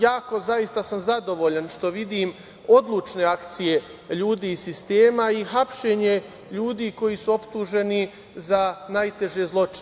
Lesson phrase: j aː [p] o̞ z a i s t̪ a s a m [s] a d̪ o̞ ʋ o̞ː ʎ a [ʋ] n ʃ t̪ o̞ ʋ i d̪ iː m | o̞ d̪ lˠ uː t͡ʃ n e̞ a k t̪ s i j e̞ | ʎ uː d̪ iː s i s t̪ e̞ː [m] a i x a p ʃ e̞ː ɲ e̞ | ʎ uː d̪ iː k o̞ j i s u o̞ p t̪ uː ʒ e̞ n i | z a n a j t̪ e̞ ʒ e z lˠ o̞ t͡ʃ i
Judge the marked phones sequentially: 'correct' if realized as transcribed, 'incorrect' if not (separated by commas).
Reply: incorrect, incorrect, incorrect, correct